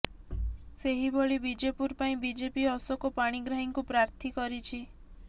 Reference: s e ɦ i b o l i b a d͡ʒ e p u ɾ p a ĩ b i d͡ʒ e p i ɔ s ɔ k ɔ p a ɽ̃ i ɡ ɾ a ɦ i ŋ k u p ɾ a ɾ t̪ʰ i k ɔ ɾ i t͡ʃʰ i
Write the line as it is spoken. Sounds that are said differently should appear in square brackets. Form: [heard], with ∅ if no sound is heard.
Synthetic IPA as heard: s e ɦ i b o [ɭ] i b [i] d͡ʒ e p u ɾ p a ĩ b i d͡ʒ e p i ɔ s ɔ k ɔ p a ɽ̃ i ɡ ɾ a ɦ i ŋ k u p ɾ a ɾ t̪ʰ i k ɔ ɾ i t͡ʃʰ i